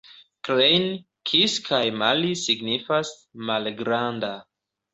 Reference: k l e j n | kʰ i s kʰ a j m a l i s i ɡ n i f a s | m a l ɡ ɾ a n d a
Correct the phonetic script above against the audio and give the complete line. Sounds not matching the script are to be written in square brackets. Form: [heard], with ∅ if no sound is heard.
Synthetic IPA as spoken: k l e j n | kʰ i s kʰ a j m a l i s i ɡ n i f a s | m a l ɡ ɾ a n d a

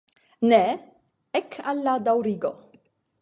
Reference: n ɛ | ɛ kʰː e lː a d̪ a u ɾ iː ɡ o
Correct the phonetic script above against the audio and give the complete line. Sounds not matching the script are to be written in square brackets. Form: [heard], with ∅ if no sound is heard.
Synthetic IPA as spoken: n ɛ | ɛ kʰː [a] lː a d̪ a [w] ɾ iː ɡ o

